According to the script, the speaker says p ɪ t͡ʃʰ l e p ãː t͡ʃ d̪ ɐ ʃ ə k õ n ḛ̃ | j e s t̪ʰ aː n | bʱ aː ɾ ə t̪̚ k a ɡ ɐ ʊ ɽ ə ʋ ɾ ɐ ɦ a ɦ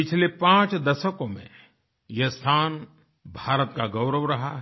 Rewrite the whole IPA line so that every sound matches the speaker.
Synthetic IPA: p ɪ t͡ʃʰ l e p ãː t͡ʃ d̪ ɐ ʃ ə k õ m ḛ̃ | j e s t̪ʰ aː n | bʱ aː ɾ ə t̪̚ k a ɡ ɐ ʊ ɾ ə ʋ ɾ ɐ ɦ a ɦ